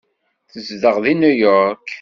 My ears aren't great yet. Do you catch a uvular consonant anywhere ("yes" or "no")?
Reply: yes